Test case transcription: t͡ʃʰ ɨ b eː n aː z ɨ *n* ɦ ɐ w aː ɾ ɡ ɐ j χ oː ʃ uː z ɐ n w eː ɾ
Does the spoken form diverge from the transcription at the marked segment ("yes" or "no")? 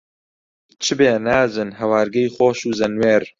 no